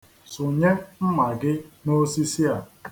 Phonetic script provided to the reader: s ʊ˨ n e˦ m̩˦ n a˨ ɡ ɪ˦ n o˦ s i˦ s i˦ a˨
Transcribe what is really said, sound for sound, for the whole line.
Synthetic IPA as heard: s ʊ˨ ɲ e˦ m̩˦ m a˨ ɡ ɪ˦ n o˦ s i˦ s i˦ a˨